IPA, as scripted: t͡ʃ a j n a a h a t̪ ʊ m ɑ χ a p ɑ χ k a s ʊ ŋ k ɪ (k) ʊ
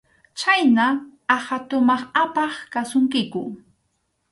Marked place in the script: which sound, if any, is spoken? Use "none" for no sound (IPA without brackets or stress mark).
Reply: k